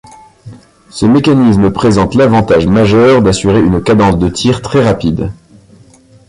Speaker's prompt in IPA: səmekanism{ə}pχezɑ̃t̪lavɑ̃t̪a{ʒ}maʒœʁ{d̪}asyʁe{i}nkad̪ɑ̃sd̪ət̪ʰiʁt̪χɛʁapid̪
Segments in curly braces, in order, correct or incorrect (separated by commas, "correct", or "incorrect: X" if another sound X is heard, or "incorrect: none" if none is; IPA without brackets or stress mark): correct, correct, correct, incorrect: y